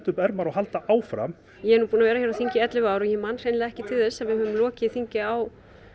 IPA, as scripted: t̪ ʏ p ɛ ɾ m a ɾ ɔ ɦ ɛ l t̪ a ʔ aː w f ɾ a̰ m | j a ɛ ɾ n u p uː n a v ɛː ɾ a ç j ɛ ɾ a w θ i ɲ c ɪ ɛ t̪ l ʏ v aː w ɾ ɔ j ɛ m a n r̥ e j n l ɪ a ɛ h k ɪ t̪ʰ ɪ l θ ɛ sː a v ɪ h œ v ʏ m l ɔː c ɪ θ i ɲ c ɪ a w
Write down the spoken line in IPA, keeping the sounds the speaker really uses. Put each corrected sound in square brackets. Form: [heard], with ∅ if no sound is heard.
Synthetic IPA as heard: t̪ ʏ p ɛ ɾ m a ɾ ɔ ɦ [a] l t̪ a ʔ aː w f ɾ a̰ m | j [ɛ] ɛ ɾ n u p uː n a v ɛː ɾ a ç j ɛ ɾ a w θ i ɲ c ɪ ɛ t̪ l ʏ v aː w ɾ ɔ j ɛ m a n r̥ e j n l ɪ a ɛ h [c] ɪ t̪ʰ ɪ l θ ɛ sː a v ɪ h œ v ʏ m l ɔː c ɪ θ i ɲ c ɪ a w